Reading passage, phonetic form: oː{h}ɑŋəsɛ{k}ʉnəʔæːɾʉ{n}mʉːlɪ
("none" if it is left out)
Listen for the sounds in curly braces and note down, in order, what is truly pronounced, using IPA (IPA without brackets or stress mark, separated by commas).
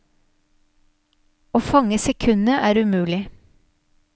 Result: f, kʰ, none